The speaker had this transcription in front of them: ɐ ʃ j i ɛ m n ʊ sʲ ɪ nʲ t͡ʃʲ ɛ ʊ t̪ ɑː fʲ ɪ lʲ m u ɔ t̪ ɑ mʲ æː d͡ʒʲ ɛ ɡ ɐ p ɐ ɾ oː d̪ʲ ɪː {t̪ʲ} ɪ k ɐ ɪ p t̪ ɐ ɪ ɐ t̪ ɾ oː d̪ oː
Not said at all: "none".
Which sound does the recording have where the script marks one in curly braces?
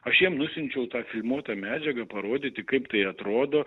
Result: t̪ʲ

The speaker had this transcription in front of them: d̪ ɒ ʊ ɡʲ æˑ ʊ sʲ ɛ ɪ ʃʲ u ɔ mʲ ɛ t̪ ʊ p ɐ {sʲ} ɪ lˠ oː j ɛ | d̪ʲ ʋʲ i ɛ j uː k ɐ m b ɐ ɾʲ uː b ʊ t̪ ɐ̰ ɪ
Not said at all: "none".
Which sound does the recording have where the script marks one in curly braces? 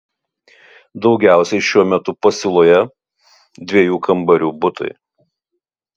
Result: sʲ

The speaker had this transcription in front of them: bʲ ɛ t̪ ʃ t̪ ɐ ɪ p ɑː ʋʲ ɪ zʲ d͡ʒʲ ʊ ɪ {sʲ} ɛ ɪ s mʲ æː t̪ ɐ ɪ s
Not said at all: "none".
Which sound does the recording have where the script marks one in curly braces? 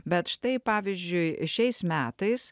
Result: ʃʲ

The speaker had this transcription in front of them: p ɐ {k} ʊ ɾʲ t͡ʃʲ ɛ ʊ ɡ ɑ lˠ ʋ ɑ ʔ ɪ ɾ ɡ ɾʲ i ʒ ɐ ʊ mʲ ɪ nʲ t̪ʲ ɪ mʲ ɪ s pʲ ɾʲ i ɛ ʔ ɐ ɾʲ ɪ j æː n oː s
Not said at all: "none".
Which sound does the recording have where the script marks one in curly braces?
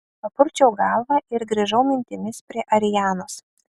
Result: p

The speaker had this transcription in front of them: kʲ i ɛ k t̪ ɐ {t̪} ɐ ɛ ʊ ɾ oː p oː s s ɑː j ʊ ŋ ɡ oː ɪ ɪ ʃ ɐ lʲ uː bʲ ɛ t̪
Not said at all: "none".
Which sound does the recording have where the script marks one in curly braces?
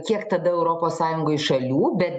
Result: d̪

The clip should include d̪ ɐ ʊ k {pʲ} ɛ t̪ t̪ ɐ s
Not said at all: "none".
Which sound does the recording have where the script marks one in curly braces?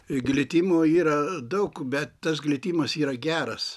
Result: bʲ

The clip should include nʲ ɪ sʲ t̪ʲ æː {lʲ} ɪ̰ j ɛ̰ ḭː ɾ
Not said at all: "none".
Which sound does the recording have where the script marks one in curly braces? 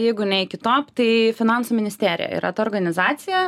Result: ɾʲ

